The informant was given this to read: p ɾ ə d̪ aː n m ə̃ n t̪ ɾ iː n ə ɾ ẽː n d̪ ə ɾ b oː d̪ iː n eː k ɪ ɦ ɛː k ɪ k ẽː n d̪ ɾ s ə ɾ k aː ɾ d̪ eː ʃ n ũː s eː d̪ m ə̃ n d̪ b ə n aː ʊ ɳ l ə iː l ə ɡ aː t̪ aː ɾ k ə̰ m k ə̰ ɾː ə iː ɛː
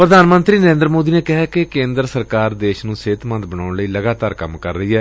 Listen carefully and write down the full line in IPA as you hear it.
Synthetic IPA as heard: p ɾ ə d̪ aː n m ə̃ n t̪ ɾ iː n ə ɾ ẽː n d̪ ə ɾ m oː d̪ iː n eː k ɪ ɦ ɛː k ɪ k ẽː n d̪ ɾ s ə ɾ k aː ɾ d̪ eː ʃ n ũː s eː t̪ m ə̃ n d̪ b ə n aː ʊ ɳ l ə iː l ə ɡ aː t̪ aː ɾ k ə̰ m k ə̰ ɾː ə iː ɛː